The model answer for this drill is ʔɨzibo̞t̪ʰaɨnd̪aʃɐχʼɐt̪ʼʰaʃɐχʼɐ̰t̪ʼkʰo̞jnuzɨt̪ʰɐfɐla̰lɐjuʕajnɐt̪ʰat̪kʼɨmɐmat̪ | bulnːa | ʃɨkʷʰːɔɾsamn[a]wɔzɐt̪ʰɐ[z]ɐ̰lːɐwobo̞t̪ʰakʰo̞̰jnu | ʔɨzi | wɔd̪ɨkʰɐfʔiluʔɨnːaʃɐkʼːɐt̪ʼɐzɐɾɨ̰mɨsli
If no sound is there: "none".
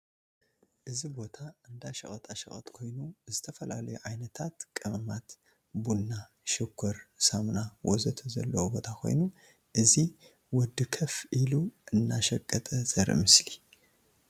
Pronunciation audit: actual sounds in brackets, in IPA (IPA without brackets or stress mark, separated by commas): a, z